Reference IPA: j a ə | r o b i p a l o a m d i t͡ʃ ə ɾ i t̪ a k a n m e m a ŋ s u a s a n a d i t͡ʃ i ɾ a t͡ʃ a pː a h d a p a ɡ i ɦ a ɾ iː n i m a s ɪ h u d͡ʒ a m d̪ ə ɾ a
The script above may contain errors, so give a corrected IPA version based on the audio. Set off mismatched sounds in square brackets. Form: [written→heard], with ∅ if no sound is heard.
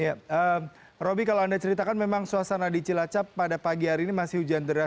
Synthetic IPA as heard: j a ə | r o b i [p→k] a l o a [m→n] d [i→a] t͡ʃ ə ɾ i t̪ a k a n m e m a ŋ s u a s a n a d i t͡ʃ i [ɾ→l] a t͡ʃ a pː a [h→∅] d a p a ɡ i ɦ a ɾ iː n i m a s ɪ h u d͡ʒ a [m→n] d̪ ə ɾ a